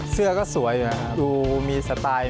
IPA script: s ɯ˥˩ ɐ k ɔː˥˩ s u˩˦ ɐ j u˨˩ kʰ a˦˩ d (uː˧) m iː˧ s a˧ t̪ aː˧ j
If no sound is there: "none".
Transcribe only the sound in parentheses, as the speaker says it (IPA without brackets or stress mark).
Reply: uː˧